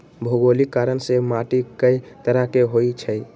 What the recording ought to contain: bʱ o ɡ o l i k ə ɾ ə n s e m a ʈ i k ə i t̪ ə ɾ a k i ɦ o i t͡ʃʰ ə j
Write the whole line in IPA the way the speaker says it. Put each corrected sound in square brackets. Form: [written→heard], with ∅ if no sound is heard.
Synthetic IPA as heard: bʱ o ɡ o l i k [ə→a] ɾ ə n s e m a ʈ i k ə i t̪ ə ɾ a k [i→e] ɦ o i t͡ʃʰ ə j